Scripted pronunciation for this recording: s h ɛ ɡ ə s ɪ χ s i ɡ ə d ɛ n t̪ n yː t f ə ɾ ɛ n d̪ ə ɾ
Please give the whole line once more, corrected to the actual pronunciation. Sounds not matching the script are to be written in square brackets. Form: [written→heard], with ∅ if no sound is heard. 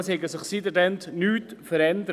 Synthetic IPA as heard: s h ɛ ɡ ə s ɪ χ s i [ɡ→d] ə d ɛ n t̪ n yː t f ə ɾ ɛ n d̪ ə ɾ